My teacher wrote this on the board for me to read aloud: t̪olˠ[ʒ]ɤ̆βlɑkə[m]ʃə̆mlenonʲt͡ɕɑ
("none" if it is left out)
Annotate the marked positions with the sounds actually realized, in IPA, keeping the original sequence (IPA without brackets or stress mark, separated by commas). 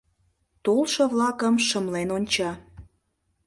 ʃ, m